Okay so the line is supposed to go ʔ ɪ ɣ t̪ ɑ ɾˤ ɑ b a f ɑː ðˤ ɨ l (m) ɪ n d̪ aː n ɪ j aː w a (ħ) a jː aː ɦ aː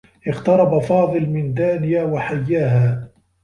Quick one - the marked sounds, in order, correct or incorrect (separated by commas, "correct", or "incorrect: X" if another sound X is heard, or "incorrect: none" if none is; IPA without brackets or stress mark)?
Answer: correct, correct